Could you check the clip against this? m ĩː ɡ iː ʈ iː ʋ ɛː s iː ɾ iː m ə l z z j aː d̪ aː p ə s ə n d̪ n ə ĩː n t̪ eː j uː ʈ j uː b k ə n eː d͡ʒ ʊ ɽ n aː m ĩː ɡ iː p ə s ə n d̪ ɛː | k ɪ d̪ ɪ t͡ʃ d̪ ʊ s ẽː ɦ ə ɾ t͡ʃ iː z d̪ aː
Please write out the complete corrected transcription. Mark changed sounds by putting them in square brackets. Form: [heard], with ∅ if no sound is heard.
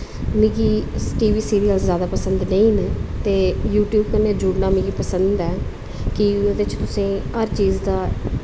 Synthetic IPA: m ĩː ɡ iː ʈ iː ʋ [iː] s iː ɾ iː [∅] ə l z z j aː d̪ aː p ə s ə n d̪ n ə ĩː n t̪ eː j uː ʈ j uː b k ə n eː d͡ʒ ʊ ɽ n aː m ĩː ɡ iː p ə s ə n d̪ ɛː | k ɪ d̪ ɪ t͡ʃ [t̪] ʊ s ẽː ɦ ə ɾ t͡ʃ iː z d̪ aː